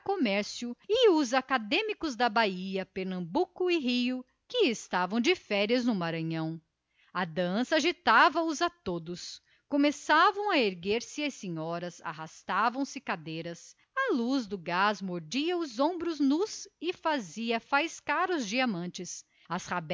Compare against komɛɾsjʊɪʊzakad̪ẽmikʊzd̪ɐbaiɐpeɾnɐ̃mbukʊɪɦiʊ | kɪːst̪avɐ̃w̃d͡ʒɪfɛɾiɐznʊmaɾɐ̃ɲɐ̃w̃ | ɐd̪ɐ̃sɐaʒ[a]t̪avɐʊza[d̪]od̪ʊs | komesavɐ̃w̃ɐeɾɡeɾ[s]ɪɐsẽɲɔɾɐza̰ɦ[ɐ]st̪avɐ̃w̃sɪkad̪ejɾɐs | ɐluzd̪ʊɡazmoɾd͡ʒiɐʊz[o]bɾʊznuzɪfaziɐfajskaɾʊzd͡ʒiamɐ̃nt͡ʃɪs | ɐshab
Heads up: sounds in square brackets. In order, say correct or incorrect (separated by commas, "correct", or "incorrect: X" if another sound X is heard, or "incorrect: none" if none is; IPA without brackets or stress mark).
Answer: incorrect: i, incorrect: t̪, correct, incorrect: a, incorrect: õ